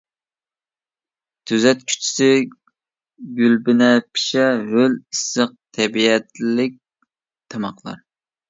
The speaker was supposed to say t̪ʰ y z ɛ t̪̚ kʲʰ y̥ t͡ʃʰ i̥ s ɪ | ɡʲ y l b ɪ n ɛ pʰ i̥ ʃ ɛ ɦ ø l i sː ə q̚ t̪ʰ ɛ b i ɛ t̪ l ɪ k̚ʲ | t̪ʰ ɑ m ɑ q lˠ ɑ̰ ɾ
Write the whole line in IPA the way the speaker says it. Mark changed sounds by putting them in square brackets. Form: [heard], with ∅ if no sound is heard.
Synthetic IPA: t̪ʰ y z ɛ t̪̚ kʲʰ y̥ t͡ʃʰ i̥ s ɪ | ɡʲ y l b ɪ n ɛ pʰ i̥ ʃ ɛ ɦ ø l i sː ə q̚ t̪ʰ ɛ b i ɛ t̪ l ɪ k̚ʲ | t̪ʰ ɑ m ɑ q lˠ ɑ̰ ɾ